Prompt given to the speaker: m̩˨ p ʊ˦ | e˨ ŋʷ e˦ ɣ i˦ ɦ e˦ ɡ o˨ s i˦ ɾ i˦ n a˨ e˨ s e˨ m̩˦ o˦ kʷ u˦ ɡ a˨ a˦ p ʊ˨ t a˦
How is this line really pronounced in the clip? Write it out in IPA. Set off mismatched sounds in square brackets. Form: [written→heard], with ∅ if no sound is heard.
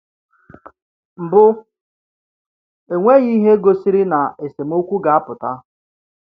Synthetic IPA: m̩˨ [p→b] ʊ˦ | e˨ ŋʷ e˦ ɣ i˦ ɦ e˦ ɡ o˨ s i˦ ɾ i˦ n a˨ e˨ s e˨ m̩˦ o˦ kʷ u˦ ɡ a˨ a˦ p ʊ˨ t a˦